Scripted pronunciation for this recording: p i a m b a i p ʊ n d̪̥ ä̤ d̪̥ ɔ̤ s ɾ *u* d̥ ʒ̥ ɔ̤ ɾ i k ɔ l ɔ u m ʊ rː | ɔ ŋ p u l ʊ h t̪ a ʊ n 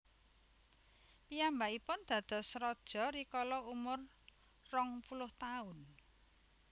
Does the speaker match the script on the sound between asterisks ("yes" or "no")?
no